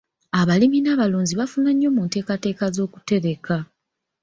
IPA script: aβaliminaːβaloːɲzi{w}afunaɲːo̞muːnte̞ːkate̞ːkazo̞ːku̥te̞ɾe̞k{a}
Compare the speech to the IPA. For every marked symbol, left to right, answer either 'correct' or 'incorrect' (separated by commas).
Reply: incorrect, correct